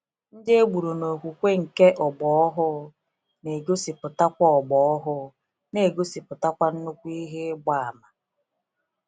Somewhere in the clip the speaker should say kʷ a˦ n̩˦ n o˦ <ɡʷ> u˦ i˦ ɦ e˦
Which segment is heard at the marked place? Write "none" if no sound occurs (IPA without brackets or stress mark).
kʷ